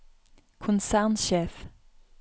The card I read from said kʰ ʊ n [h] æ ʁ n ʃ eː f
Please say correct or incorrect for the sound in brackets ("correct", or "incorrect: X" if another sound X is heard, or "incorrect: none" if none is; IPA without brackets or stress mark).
incorrect: s